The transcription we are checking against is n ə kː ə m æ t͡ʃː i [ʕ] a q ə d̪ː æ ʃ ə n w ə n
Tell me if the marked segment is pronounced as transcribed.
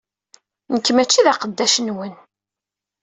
no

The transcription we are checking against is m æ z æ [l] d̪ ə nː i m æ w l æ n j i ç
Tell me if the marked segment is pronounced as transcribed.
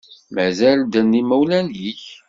yes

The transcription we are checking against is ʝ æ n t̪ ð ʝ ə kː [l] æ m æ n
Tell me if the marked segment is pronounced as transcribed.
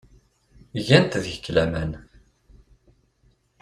yes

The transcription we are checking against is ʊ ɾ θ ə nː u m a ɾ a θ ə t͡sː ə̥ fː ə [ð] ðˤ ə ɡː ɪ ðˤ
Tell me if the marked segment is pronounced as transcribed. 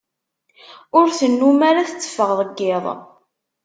no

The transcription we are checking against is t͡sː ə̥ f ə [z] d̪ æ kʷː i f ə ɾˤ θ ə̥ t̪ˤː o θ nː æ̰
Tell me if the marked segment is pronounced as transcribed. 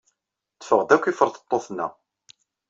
no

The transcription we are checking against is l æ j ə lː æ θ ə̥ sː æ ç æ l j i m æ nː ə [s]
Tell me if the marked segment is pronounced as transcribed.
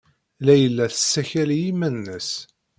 yes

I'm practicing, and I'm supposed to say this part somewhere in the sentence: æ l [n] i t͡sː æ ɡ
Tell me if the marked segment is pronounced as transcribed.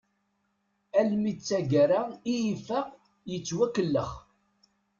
no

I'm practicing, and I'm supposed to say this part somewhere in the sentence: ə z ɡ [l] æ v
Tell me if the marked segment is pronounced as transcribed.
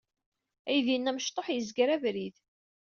no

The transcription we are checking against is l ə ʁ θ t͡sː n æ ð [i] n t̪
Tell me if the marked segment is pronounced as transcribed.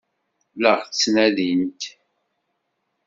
yes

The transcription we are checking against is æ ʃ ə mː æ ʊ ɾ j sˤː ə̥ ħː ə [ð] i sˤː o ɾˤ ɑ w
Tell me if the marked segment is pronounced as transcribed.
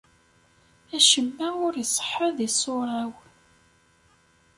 yes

